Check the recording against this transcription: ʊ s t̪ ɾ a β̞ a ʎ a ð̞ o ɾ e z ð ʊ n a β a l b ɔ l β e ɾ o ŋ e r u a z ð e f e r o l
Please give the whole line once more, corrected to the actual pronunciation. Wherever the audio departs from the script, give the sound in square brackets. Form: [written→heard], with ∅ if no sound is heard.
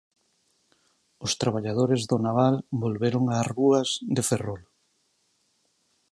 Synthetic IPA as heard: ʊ s t̪ ɾ a β̞ a ʎ a ð̞ o ɾ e z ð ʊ n a β a l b [ɔ→o] l β e ɾ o ŋ [e→a] r u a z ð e f e r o l